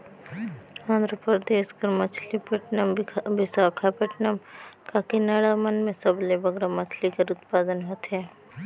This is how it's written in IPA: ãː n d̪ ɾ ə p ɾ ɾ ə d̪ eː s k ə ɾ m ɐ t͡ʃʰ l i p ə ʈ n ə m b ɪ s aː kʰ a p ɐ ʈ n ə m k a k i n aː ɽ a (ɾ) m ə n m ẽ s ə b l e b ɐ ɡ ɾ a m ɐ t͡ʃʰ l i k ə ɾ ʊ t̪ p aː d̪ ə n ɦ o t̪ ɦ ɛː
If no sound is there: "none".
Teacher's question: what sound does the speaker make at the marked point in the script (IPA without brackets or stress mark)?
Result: none